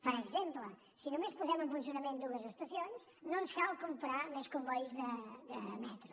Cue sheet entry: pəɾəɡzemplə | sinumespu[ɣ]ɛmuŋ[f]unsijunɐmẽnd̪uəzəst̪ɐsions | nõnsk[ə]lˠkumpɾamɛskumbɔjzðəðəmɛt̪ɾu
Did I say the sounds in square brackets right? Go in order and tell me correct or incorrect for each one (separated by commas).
incorrect, correct, incorrect